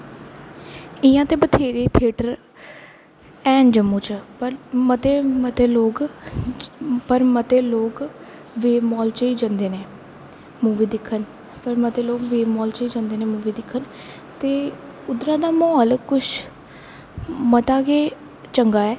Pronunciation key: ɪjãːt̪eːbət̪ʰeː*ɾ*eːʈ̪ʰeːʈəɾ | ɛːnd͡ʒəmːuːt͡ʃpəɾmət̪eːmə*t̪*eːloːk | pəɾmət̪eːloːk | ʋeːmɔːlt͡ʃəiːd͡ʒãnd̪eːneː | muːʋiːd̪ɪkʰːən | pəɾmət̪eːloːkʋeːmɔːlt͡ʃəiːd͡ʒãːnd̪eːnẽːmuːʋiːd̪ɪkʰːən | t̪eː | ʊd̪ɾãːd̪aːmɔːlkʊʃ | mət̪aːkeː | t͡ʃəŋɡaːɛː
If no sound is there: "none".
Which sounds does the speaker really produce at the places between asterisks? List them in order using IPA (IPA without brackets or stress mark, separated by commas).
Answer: ɾ, t̪